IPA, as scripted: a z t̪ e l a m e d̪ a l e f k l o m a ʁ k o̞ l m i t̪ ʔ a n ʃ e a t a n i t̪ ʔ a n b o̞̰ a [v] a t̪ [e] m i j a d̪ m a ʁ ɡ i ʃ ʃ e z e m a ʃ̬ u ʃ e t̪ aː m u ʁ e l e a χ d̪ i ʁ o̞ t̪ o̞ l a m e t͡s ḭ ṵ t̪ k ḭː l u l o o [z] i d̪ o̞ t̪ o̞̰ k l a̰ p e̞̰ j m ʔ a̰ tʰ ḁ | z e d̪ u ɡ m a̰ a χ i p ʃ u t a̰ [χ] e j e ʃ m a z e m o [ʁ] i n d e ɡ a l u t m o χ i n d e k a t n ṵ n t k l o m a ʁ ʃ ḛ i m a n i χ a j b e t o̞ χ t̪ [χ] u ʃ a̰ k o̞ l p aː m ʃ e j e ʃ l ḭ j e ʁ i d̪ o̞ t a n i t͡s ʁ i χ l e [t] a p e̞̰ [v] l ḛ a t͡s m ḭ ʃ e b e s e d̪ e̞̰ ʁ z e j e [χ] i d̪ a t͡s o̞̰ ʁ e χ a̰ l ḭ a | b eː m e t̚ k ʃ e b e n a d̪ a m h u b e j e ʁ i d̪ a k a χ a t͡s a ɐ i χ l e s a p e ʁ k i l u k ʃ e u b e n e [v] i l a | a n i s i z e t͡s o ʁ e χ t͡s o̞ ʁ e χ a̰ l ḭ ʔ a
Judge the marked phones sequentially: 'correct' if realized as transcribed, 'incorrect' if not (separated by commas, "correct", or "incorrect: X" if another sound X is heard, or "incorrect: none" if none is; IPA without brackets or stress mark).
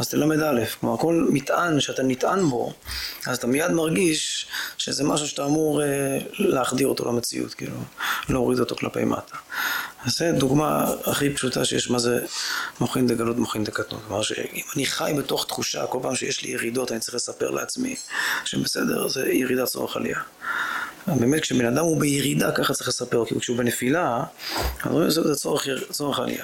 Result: incorrect: z, incorrect: a, incorrect: ʁ, incorrect: ʃ, incorrect: χ, correct, incorrect: s, incorrect: ʁ, incorrect: ʁ, incorrect: f